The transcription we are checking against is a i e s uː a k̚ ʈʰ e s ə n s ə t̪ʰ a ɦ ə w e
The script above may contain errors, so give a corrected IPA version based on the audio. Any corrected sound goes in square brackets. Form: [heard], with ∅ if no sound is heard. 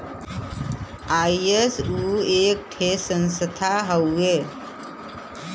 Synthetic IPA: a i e s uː [e] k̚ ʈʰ e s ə n s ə t̪ʰ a ɦ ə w e

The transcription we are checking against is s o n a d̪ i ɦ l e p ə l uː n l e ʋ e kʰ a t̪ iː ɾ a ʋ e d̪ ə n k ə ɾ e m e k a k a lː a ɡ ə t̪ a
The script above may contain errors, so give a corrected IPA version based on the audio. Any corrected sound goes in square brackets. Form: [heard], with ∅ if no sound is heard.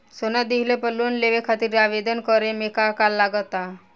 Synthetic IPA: s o n a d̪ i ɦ l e p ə l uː n l e ʋ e kʰ a t̪ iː ɾ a ʋ e d̪ ə n k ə ɾ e m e k a k a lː a ɡ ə t̪ a

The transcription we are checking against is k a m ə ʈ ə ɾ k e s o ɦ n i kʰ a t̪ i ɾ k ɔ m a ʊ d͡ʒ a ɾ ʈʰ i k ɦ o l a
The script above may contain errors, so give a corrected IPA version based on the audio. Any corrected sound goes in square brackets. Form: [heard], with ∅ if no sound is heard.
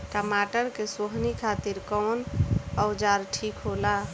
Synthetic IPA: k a m [a] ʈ ə ɾ k e s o ɦ n i kʰ a t̪ i ɾ k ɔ [n] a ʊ d͡ʒ a ɾ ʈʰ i k ɦ o l a

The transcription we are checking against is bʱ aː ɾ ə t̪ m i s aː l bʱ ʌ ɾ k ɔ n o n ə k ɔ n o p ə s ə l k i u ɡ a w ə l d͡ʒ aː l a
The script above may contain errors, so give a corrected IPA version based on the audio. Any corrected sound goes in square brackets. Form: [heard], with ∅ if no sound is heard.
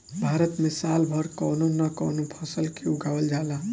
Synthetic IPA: bʱ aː ɾ ə t̪ m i s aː l bʱ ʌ ɾ k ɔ n o n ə k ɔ n o [pʰ] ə s ə l k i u ɡ a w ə l d͡ʒ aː l a

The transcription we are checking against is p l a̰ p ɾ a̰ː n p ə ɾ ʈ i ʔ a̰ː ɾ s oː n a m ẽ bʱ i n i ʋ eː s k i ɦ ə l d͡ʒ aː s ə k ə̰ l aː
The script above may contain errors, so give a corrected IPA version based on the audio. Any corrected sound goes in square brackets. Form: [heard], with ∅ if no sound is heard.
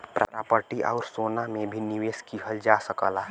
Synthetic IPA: p [ɾ] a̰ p ɾ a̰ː [∅] p ə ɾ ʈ i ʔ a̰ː ɾ s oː n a m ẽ bʱ i n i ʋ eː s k i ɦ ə l d͡ʒ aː s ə k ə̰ l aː

